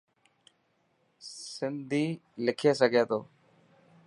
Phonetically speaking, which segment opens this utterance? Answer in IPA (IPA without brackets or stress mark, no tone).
s